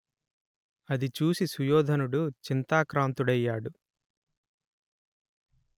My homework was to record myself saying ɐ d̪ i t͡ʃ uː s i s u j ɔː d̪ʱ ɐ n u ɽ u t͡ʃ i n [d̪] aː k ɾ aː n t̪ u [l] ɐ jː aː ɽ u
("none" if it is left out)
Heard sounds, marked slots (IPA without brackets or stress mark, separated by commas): t̪, ɽ